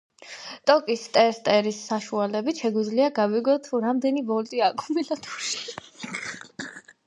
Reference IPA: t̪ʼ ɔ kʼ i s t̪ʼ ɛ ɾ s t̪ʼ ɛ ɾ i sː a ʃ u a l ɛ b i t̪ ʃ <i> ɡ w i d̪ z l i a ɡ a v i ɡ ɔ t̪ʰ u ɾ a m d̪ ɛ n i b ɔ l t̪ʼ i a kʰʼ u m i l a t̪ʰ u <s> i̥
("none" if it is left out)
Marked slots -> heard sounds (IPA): ɛ, ʃ

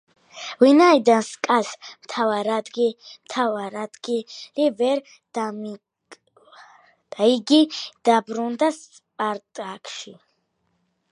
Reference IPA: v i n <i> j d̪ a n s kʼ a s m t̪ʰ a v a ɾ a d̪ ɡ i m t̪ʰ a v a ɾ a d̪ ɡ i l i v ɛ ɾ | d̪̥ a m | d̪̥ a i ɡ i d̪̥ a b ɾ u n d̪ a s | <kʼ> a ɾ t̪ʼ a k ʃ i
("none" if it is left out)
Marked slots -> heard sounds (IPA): a, pʼ

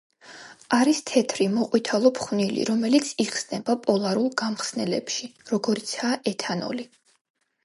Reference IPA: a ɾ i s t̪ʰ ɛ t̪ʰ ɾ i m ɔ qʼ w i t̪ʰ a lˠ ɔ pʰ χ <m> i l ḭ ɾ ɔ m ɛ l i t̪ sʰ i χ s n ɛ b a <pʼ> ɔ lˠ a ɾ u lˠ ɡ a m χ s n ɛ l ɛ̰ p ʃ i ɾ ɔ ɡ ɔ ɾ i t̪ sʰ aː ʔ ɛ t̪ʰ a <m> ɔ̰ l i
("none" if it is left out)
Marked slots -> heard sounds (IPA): n, pʼ, n

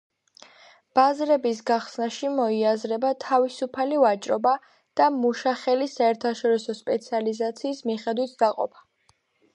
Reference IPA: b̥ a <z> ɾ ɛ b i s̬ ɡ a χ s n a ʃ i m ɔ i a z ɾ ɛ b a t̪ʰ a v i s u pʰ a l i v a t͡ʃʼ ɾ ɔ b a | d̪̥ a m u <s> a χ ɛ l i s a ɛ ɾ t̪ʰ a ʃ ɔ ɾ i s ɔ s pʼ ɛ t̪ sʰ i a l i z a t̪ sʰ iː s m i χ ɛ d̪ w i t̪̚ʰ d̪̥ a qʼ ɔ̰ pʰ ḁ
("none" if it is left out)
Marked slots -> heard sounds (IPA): z, ʃ

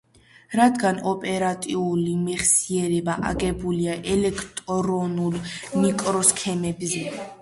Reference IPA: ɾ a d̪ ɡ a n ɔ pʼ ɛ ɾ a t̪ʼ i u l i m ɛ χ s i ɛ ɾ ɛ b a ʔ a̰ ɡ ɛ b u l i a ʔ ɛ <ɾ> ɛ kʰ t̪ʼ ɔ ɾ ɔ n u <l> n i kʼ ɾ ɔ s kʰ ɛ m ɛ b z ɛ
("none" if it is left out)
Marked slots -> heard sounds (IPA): l, l

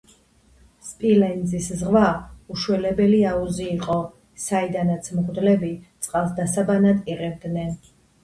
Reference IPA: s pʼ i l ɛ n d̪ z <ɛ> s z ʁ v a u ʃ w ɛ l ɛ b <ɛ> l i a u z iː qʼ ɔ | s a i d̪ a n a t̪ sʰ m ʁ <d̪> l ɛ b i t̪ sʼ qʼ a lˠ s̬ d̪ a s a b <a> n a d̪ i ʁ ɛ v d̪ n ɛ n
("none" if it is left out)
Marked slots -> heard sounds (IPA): i, ɛ, d̪, a

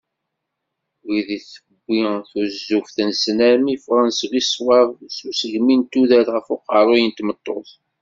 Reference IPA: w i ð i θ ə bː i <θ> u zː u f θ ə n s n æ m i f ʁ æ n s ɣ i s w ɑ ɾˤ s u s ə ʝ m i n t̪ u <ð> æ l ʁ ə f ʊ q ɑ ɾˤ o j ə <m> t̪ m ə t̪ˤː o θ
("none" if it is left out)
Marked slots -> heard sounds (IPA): θ, ð, n

